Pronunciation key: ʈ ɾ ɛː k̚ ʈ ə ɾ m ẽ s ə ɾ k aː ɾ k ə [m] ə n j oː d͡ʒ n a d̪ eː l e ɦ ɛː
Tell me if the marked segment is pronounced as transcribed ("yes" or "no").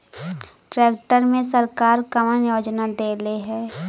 yes